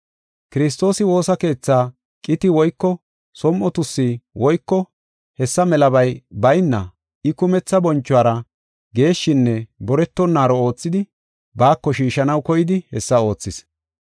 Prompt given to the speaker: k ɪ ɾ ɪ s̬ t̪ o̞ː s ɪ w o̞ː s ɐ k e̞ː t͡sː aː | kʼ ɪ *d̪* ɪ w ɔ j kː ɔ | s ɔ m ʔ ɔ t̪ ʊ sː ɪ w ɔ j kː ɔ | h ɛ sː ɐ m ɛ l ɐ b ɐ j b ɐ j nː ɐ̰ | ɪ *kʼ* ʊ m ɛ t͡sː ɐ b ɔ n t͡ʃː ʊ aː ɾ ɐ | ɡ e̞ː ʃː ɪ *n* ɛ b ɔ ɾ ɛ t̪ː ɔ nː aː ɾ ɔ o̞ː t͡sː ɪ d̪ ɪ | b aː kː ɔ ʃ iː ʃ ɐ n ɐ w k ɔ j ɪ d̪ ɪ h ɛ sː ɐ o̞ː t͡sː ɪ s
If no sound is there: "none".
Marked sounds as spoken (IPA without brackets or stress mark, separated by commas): t̪, k, nː